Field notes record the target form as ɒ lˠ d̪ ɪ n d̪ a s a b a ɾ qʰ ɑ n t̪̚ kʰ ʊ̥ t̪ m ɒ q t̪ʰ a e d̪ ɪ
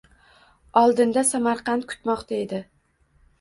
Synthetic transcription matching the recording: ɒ lˠ d̪ ɪ n d̪ a s a m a ɾ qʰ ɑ n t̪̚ kʰ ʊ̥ t̪ m ɒ q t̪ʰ a e d̪ ɪ